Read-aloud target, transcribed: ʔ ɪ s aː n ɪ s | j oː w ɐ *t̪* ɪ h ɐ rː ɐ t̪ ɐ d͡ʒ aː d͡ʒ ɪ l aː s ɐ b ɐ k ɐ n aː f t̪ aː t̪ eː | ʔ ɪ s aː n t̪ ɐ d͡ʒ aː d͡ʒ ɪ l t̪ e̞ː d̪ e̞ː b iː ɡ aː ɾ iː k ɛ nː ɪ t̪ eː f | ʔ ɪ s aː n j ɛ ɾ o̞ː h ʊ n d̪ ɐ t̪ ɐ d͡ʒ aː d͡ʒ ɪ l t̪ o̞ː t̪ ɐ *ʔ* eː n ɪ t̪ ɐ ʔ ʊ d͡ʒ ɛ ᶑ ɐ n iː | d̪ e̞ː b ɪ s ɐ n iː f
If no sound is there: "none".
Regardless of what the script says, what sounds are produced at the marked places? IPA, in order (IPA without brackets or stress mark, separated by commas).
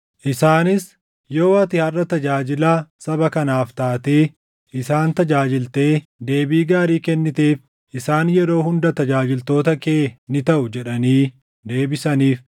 t̪, k